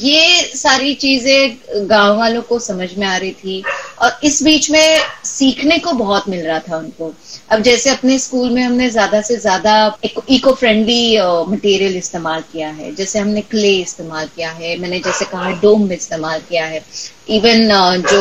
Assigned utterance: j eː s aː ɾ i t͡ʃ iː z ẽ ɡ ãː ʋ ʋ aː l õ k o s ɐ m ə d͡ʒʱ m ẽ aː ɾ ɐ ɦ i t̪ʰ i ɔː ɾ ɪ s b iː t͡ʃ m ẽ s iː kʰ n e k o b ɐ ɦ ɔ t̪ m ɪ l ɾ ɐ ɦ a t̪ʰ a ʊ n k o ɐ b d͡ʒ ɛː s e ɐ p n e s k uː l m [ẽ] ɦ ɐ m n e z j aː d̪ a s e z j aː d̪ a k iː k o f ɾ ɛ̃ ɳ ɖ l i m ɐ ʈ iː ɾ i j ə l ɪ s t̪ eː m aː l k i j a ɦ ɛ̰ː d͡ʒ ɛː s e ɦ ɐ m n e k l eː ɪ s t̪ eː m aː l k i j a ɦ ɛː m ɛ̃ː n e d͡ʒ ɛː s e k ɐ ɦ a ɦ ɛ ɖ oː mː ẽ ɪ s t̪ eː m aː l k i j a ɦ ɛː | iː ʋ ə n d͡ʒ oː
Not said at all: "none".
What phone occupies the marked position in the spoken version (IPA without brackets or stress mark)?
ẽ